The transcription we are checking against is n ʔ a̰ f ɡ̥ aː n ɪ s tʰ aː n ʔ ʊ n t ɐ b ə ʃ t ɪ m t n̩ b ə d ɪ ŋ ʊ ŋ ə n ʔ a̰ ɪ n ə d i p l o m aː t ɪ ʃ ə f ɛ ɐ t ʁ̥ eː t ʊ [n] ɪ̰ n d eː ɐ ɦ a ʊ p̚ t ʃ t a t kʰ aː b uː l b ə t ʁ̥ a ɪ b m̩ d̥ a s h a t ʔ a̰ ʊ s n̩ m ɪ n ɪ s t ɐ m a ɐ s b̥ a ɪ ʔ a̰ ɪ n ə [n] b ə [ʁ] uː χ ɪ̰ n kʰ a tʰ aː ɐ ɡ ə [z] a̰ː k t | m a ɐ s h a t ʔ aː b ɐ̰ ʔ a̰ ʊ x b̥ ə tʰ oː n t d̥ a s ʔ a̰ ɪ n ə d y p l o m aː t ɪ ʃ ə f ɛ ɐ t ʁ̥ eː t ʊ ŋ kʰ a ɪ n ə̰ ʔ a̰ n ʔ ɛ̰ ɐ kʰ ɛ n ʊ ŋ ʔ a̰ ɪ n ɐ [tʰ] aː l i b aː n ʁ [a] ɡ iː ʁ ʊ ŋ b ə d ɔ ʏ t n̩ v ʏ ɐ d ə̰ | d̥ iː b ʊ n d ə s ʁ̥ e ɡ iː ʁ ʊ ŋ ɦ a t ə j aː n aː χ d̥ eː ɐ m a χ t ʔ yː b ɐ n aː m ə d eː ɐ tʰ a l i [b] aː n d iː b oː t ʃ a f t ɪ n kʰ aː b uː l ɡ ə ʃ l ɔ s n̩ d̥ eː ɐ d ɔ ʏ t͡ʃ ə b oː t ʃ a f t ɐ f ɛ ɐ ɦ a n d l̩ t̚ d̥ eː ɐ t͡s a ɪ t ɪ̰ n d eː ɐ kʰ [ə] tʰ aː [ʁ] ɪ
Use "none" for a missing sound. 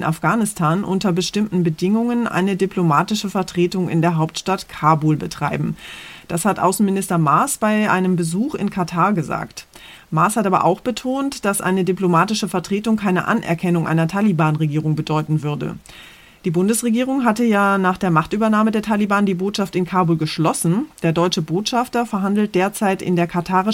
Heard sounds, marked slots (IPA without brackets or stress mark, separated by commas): ŋ, m, z, z, tʰ, e, b, a, ʁ